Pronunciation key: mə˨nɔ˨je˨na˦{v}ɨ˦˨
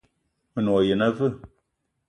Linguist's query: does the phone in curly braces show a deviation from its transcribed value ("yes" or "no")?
no